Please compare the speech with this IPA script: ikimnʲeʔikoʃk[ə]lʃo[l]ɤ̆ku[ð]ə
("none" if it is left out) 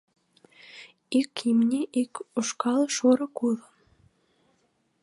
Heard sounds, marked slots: ɑ, ɾ, ð

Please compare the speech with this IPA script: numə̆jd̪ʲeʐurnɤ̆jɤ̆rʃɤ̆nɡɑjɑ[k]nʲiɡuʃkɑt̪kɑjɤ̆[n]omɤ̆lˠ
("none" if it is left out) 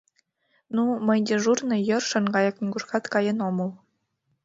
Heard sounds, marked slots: k, n

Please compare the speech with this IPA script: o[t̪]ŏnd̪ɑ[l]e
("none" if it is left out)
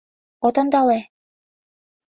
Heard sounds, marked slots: t̪, l

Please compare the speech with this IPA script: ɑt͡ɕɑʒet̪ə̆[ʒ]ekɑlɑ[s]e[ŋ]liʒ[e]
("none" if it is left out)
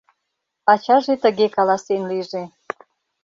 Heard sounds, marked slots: ɣ, s, n, e

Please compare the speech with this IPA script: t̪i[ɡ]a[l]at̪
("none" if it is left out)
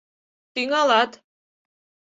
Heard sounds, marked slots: ŋ, l

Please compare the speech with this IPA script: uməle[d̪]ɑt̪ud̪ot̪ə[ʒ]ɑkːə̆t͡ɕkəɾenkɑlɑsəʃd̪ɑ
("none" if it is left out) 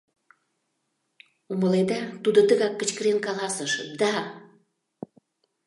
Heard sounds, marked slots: d̪, ɣ

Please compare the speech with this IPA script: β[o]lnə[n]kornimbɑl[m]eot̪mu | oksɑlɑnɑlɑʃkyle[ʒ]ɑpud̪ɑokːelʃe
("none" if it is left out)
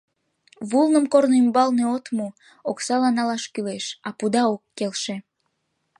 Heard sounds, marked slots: u, m, n, ʃ

